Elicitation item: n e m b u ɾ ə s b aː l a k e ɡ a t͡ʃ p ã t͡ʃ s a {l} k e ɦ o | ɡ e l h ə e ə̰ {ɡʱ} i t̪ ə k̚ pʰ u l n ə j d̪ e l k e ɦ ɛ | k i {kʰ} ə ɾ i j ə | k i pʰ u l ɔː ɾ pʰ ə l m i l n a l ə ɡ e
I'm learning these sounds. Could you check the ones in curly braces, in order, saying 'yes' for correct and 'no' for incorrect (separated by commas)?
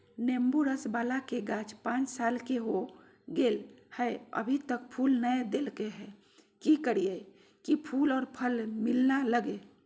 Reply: yes, no, no